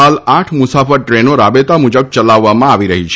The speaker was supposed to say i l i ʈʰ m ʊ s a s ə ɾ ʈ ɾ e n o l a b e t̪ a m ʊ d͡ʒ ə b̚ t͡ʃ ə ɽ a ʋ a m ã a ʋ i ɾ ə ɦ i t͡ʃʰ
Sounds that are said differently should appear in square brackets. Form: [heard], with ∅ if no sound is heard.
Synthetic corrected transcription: [a] l [a] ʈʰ m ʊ s a [f] ə ɾ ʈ ɾ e n o [ɾ] a b e t̪ a m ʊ d͡ʒ ə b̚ t͡ʃ ə [l] a [ʋː] a m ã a ʋ i ɾ ə ɦ i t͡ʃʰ

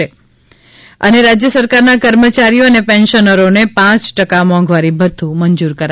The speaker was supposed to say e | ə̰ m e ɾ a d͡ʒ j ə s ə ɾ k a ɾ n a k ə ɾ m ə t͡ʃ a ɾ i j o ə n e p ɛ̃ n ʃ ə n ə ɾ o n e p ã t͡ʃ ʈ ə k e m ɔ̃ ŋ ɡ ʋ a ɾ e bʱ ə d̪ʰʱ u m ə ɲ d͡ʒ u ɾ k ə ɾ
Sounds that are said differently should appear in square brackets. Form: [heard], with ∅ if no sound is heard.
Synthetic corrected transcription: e | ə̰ [n] e ɾ a d͡ʒ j ə s ə ɾ k a ɾ n a k ə ɾ m ə t͡ʃ a ɾ i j o ə n e p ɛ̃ n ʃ ə n ə ɾ o n e p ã t͡ʃ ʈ ə k [a] m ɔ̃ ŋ ɡ ʋ a ɾ [i] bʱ ə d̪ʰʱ u m ə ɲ d͡ʒ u ɾ k ə ɾ

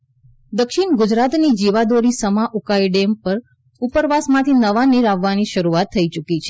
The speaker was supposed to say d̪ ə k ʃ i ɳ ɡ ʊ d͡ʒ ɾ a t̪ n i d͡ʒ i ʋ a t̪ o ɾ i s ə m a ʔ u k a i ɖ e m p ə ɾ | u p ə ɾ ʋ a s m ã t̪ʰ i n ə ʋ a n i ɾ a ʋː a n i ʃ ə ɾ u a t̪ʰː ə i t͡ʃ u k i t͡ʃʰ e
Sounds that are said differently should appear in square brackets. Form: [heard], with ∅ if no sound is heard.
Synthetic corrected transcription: d̪ ə k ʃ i ɳ ɡ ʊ d͡ʒ ɾ a t̪ n i d͡ʒ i ʋ a [d̪] o ɾ i s ə m a ʔ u k a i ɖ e m p ə ɾ | u p ə ɾ ʋ a s m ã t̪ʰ i n ə ʋ a n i ɾ a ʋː a n i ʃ ə ɾ u a t̪ʰː ə i t͡ʃ u k i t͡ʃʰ e

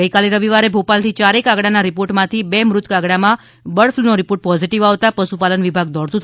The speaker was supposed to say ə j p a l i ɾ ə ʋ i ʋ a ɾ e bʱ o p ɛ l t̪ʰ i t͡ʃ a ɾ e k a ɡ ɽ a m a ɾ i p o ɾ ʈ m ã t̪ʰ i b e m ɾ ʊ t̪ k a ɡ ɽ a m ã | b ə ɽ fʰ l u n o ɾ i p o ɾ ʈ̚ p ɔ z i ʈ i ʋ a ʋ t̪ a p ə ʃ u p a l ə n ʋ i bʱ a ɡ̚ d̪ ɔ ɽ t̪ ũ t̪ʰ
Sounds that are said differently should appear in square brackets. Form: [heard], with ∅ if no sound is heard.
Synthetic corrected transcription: ə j [k] a l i ɾ ə ʋ i ʋ a ɾ e bʱ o p [a] l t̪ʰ i t͡ʃ a ɾ e k a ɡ ɽ a [n] a ɾ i p o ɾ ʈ m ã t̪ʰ i b e m ɾ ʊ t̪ k a ɡ ɽ a m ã | b ə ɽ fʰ l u n o ɾ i p o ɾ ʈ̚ p ɔ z i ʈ i ʋ a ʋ t̪ a p ə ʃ u p a l ə n ʋ i bʱ a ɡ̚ d̪ ɔ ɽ t̪ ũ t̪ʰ

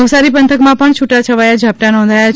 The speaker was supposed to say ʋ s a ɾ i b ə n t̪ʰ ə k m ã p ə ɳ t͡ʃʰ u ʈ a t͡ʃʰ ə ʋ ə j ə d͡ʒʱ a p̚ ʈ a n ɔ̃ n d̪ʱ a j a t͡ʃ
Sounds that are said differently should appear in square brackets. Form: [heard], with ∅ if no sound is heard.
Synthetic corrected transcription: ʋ s a ɾ i [p] ə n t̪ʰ ə k m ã p ə ɳ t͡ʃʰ u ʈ a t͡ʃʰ ə ʋ [a] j [a] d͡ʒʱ a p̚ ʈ a n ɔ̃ n d̪ʱ a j a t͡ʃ

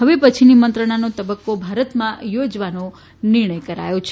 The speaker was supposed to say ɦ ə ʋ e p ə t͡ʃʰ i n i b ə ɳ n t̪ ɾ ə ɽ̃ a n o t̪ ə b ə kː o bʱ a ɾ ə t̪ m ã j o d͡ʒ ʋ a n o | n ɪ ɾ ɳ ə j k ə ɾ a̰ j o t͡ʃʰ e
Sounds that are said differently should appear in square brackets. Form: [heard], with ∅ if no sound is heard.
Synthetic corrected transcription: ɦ ə ʋ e p ə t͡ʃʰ i n i [m] ə [∅] n t̪ ɾ ə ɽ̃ a n o t̪ ə b ə kː o bʱ a ɾ ə t̪ m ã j o d͡ʒ ʋ a n o | n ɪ ɾ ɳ ə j k ə ɾ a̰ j o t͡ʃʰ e

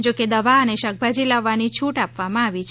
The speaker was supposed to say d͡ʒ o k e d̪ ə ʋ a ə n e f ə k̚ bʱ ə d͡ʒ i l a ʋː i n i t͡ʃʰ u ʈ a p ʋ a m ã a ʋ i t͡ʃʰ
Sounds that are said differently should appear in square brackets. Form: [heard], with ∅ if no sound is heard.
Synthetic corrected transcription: d͡ʒ o k e d̪ ə ʋ a ə n e [ʃ] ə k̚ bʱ [a] d͡ʒ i l a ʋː [a] n i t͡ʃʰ u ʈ a p ʋ a m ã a ʋ i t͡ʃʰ

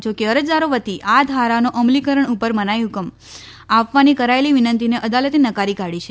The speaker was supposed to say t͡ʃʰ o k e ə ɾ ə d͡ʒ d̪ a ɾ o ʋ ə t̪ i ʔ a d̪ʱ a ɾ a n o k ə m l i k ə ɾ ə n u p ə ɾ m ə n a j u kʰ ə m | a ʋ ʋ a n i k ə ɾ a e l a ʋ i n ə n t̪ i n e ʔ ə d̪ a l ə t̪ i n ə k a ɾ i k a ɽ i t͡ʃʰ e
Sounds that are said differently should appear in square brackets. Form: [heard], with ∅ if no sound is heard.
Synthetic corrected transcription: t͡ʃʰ o k e ə ɾ ə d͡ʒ d̪ a ɾ o ʋ ə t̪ i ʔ a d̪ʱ a ɾ a n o [ʔ] ə m l i k ə ɾ ə [ɳ] u p ə ɾ m ə n a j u [k] ə m | a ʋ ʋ a n i k ə ɾ a e l [i] ʋ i n ə n t̪ i n e ʔ ə d̪ a l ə t̪ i n ə k a ɾ i k a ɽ i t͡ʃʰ e

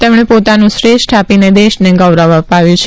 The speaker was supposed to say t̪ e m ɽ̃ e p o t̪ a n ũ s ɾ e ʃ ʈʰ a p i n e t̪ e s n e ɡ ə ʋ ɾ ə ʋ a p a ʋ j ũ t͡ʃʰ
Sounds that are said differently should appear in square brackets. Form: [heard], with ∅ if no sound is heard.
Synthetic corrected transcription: t̪ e m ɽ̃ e p o t̪ a n ũ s ɾ e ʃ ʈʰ a p i n e [d̪] e [ʃ] n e ɡ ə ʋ ɾ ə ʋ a p a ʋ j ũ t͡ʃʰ

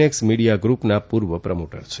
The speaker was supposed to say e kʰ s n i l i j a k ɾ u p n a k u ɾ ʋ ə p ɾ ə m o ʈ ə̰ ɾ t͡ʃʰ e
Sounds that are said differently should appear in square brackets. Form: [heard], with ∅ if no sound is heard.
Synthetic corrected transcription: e [k] s [m] i [ɽ] i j a [ɡ] ɾ u p n a [p] u ɾ ʋ ə p ɾ ə m o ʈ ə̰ ɾ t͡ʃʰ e

